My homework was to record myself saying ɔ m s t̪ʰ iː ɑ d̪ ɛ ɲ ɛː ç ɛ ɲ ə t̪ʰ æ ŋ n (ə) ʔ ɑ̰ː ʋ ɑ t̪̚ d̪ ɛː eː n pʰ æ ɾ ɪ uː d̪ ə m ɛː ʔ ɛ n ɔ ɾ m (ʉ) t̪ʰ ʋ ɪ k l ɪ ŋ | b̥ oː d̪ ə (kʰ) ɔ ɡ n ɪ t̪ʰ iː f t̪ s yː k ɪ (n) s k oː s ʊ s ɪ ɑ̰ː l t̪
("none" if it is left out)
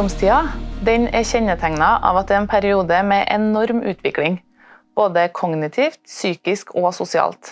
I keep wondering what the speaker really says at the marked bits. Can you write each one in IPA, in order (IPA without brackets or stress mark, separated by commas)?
ɑ, ʉː, kʰ, none